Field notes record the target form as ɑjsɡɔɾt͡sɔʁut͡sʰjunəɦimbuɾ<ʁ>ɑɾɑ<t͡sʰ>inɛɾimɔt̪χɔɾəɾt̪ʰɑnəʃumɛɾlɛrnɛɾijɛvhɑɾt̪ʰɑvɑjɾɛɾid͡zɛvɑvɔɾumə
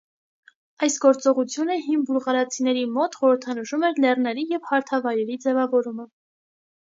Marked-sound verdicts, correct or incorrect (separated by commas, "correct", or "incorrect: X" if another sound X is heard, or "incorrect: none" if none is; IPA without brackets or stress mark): correct, correct